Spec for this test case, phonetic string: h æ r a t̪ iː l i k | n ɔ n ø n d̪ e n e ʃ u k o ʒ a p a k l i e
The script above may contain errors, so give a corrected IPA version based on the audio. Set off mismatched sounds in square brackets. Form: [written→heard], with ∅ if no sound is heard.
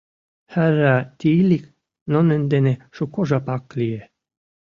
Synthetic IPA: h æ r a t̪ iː l i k | n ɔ n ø n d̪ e n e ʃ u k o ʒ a p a k l i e